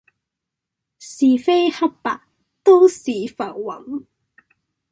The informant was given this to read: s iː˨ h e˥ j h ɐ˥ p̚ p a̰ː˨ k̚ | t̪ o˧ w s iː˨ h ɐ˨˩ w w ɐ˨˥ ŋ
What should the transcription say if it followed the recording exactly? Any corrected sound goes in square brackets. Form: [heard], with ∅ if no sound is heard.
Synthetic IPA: s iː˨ [f] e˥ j h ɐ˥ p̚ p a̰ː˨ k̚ | t̪ [o˥] w s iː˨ [f] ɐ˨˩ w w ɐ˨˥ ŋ

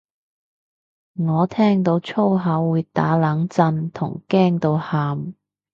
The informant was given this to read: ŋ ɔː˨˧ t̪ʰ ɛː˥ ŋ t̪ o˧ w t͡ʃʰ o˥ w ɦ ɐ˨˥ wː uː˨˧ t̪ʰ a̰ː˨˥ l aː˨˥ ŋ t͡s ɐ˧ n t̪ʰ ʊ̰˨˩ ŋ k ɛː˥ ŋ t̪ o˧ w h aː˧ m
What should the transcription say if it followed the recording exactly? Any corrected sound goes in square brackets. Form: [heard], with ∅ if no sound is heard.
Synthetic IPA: ŋ ɔː˨˧ t̪ʰ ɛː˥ ŋ t̪ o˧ w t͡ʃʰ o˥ w ɦ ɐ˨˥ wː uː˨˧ [t̪] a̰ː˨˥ l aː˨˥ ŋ t͡s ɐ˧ n t̪ʰ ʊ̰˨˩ ŋ k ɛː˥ ŋ t̪ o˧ w h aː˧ m

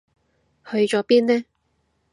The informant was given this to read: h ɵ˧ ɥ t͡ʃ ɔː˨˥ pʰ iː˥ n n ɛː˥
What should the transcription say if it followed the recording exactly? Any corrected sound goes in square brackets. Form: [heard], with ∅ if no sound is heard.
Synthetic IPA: h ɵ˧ ɥ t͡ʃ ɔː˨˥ [p] iː˥ n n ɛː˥

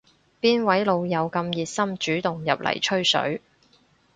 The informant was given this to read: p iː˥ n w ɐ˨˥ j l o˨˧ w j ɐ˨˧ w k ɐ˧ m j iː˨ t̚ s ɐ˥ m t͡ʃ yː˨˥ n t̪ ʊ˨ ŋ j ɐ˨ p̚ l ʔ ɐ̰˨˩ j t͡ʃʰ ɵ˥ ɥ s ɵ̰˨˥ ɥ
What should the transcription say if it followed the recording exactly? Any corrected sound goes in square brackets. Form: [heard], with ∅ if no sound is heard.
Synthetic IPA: p iː˥ n w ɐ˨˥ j l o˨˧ w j ɐ˨˧ w k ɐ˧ m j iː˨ t̚ s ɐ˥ m t͡ʃ yː˨˥ [∅] t̪ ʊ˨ ŋ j ɐ˨ p̚ l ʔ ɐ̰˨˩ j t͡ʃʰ ɵ˥ ɥ s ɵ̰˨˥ ɥ

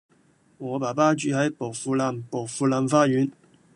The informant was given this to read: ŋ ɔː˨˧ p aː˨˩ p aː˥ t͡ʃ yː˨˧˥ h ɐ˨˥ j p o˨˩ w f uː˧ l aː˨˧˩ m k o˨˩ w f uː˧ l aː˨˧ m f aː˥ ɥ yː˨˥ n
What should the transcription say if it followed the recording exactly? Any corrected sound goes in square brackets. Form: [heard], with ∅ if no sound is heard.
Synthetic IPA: ŋ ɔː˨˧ p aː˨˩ p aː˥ t͡ʃ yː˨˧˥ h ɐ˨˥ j p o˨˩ w f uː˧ l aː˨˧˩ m [p] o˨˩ w f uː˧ l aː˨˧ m f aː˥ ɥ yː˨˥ n

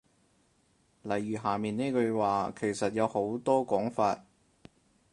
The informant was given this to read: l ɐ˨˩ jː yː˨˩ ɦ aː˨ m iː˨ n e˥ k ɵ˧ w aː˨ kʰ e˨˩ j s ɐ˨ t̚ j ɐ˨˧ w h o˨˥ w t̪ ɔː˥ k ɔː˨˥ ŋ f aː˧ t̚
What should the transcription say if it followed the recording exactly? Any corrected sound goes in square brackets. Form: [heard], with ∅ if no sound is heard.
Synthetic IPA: l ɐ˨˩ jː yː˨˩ ɦ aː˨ m iː˨ n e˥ k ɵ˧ w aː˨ kʰ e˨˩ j s ɐ˨ t̚ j ɐ˨˧ w h o˨˥ w t̪ ɔː˥ k ɔː˨˥ ŋ f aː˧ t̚

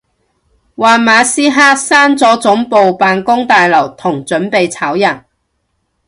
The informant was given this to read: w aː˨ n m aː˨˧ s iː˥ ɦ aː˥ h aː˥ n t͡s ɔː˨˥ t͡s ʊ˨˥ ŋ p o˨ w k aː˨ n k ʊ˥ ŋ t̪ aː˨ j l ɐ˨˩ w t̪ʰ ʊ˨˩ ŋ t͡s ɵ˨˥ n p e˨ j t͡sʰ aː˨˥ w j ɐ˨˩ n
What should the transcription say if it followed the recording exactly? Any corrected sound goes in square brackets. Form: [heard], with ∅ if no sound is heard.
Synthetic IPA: w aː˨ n m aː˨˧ s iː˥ ɦ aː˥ [s] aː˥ n t͡s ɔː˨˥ t͡s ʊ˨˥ ŋ p o˨ w [p] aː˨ n k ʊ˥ ŋ t̪ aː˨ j l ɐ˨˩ w t̪ʰ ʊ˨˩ ŋ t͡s ɵ˨˥ n p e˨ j t͡sʰ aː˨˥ w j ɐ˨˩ n

